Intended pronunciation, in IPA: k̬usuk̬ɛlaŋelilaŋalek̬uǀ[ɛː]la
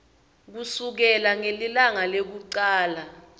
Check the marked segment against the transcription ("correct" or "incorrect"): incorrect